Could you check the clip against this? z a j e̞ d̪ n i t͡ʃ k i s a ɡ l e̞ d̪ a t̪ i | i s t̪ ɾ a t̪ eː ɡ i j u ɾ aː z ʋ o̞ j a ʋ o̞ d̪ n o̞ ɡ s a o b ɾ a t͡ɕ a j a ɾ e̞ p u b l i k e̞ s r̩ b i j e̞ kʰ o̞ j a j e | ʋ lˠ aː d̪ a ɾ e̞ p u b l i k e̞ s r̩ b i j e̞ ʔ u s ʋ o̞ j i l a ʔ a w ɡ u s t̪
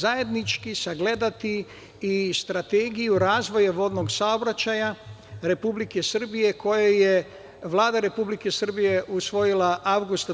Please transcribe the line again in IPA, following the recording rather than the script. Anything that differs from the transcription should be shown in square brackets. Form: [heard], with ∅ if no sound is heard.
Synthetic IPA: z a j e̞ d̪ n i t͡ʃ k i s a ɡ l e̞ d̪ a t̪ i | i s t̪ ɾ a t̪ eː ɡ i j u ɾ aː z ʋ o̞ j a ʋ o̞ d̪ n o̞ ɡ s a o b ɾ a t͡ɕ a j a ɾ e̞ p u b l i k e̞ s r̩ b i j e̞ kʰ o̞ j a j e | ʋ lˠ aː d̪ a ɾ e̞ p u b l i k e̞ s r̩ b i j e̞ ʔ u s ʋ o̞ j i l a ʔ a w ɡ u s t̪